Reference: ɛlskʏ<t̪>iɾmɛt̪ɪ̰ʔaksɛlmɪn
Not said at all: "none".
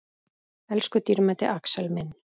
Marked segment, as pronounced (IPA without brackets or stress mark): t̪